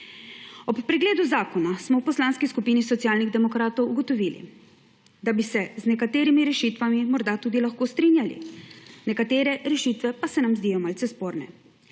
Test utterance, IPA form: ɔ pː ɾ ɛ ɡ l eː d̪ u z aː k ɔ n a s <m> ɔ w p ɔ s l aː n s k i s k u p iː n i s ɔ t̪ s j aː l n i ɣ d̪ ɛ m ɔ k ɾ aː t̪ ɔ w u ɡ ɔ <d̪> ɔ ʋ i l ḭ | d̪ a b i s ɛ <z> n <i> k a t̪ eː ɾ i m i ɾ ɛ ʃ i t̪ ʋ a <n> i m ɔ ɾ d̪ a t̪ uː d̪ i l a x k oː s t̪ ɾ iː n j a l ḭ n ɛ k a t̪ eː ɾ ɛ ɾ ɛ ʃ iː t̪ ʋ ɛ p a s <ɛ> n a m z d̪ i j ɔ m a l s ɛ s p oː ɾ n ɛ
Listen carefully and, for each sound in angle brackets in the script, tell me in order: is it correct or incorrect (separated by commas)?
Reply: correct, incorrect, correct, incorrect, incorrect, correct